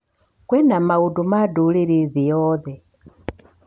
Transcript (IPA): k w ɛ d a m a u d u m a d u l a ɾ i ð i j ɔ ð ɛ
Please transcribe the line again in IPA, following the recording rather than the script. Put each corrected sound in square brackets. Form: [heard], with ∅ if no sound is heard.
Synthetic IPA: k w ɛ [n] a m a u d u m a d u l [i] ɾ i ð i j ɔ ð ɛ